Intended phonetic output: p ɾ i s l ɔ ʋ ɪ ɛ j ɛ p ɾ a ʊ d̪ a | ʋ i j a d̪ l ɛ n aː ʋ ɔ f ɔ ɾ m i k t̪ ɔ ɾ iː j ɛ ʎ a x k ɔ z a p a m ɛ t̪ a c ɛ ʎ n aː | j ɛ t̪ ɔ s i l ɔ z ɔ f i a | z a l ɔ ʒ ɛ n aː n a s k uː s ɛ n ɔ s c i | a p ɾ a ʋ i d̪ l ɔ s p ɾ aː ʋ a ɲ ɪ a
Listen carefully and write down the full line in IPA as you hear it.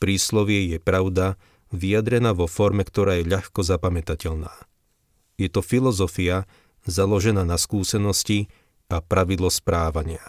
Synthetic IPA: p ɾ iː s l ɔ ʋ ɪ ɛ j ɛ p ɾ a ʊ d̪ a | ʋ i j a d̪ ɾ ɛ n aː ʋ ɔ f ɔ ɾ m ɛ k t̪ ɔ ɾ aː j ɛ ʎ a x k ɔ z a p a m ɛ t̪ a c ɛ ʎ n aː | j ɛ t̪ ɔ f i l ɔ z ɔ f i a | z a l ɔ ʒ ɛ n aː n a s k uː s ɛ n ɔ s c i | a p ɾ a ʋ i d̪ l ɔ s p ɾ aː ʋ a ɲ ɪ a